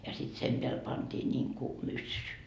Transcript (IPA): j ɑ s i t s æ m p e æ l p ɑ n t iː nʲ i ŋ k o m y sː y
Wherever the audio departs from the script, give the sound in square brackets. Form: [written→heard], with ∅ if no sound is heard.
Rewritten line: j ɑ s i t s [æ→e] m p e æ l p ɑ n t iː nʲ i ŋ k [o→u] m y sː y

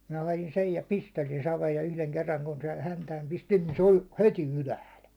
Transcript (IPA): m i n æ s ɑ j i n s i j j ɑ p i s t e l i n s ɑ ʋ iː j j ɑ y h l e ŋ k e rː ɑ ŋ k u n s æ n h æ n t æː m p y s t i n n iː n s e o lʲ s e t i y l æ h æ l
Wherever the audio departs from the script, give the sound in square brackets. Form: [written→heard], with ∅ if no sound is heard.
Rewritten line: m i n æ [s→h] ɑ j i n s [i→e] j j ɑ p i s t e l i n s ɑ ʋ [iː→eː] j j ɑ y h l e ŋ k e rː ɑ ŋ k u n s [æ→e] n h æ n t æː m p [y→i] s t i n n iː n s e o lʲ [s→h] e t i y l æ h æ l

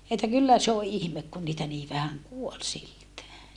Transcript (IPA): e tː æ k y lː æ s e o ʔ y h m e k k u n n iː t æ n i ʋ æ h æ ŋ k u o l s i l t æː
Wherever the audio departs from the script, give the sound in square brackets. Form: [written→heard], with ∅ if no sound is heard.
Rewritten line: e tː æ k y lː æ s e o ʔ [y→i] h m e k k u n n iː t æ n [i→iː] ʋ æ h æ ŋ k u o l s i l t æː

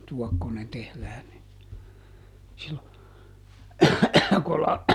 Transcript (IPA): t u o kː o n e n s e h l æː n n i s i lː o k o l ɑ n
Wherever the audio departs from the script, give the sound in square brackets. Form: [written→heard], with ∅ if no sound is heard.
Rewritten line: t u [o→ɔ] kː o n e n [s→t] e h l æː n n i s i lː o k o l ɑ n

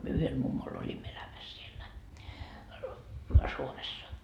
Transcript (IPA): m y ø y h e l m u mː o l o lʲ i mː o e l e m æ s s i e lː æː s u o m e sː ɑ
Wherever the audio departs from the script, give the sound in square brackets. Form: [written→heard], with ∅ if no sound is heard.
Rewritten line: m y ø y h e l m u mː o l o lʲ i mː o e l [e→æ] m æ s s i e lː [æː→æ] s u o m e sː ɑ

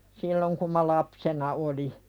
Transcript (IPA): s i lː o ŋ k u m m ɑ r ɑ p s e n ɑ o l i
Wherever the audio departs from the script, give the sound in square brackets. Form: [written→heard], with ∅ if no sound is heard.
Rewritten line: s i lː o ŋ k u m m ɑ [r→l] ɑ p s e n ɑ o l i

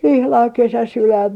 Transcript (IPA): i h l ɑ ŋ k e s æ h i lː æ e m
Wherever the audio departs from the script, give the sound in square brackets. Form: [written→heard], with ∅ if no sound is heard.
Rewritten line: i h l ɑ ŋ k e s æ [h→s] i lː æ [e→i] m

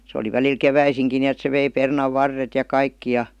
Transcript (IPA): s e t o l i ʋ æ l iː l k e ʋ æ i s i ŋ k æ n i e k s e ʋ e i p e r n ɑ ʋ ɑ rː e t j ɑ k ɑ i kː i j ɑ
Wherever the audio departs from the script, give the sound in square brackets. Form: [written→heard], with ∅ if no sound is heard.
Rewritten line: s e [t→∅] o l i ʋ æ l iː l k e ʋ æ i s i ŋ k [æ→i] n i e [k→t] s e ʋ e i p e r n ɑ [ʋ→ʋː] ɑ rː e t j ɑ k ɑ i kː i j ɑ

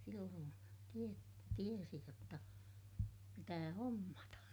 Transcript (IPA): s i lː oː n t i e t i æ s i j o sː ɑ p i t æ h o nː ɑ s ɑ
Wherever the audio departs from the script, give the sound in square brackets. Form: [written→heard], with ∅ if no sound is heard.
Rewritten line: s i lː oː n t i e t i [æ→e] s i j o [sː→tː] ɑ p i t [æ→æː] h o [nː→mː] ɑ [s→t] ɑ

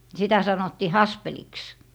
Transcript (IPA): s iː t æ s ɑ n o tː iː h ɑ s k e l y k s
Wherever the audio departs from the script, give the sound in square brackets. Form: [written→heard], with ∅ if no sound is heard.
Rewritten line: s [iː→i] t æ s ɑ n o tː iː h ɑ s [k→p] e l [y→i] k s

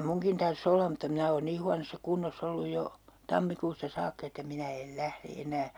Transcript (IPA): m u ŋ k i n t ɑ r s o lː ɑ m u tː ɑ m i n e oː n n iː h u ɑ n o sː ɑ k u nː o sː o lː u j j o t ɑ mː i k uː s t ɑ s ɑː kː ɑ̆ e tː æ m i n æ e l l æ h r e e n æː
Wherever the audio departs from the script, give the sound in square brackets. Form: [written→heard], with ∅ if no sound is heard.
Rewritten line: m u ŋ k i n t ɑ r s o lː ɑ m u tː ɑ m i n [e→æ] oː n n iː h u ɑ n o sː ɑ k u nː o sː o lː u j j o t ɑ mː i k uː s t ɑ s ɑː kː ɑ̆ e tː æ m i n æ e l l æ h r e e n æː

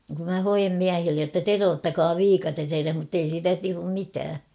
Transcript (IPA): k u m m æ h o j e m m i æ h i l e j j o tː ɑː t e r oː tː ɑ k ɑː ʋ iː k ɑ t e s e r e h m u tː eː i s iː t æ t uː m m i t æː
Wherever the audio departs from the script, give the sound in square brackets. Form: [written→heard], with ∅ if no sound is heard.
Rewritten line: k u m m æ h o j e m m i æ h i [l→lː] e j j o tː [ɑː→ɑ] t e r oː tː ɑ k ɑː ʋ iː k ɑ t e s e r e h m u tː [eː→e] i s iː t æ t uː m m i t æː

